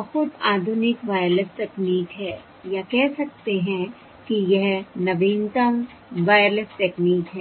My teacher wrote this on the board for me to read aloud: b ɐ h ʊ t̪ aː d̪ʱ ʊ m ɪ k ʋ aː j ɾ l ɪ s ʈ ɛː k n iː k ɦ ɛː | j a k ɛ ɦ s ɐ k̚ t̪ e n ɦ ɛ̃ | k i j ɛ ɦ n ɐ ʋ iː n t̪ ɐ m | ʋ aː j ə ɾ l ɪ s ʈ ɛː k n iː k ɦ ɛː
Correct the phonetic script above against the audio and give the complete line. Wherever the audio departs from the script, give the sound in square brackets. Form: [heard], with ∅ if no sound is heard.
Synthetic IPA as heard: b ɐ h ʊ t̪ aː d̪ʱ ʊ [n] ɪ k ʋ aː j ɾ l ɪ s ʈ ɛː k n iː k ɦ ɛː | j a k ɛ ɦ s ɐ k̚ t̪ e [∅] ɦ ɛ̃ | k i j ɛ ɦ n ɐ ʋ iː n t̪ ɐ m | ʋ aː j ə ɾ l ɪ s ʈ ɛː k n iː k ɦ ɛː